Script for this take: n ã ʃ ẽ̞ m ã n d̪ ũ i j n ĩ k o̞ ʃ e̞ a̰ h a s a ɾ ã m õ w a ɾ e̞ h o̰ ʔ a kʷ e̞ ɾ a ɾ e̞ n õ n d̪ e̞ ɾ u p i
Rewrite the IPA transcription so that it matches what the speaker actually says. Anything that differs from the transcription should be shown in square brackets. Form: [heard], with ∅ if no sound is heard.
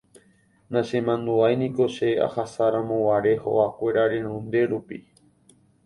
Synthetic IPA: n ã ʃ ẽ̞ m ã n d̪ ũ [a] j n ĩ k o̞ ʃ e̞ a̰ h a s a ɾ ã m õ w a ɾ e̞ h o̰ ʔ a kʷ e̞ ɾ a ɾ e̞ n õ n d̪ e̞ ɾ u p i